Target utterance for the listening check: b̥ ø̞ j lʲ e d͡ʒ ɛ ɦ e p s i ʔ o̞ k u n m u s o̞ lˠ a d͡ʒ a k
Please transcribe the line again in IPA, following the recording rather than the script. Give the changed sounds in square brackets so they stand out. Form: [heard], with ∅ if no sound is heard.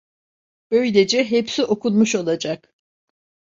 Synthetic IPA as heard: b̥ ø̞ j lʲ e d͡ʒ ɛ ɦ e p s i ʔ o̞ k u n m u [ʃ] o̞ lˠ a d͡ʒ a k